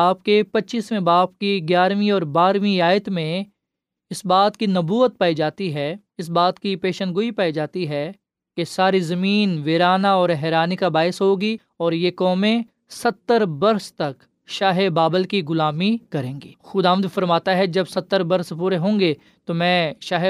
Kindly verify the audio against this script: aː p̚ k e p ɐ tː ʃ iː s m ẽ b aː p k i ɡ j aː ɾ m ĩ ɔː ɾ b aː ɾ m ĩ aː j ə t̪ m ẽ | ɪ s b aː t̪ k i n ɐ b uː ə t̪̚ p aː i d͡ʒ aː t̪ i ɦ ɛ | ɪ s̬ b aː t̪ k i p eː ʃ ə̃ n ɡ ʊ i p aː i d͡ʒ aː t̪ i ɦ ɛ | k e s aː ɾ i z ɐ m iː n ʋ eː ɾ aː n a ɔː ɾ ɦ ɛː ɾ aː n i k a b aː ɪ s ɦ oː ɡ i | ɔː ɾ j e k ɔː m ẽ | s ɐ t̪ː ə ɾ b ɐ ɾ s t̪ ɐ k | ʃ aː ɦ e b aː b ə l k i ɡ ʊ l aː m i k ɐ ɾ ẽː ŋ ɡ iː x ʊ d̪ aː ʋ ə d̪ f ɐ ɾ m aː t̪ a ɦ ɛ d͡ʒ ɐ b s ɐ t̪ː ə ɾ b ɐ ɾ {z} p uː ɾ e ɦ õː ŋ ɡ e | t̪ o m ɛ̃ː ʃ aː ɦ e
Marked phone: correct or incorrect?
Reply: incorrect